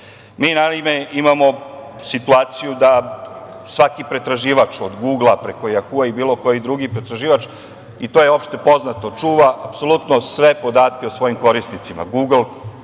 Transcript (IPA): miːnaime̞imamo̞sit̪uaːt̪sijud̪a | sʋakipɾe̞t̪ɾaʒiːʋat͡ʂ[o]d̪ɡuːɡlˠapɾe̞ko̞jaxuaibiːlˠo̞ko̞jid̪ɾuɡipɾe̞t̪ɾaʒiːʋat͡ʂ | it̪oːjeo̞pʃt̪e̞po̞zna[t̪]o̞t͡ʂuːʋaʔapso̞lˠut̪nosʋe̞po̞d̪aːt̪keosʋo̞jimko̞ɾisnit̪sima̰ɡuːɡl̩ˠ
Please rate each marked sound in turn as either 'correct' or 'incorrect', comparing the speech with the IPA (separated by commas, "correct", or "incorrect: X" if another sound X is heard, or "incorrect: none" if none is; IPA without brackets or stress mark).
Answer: correct, correct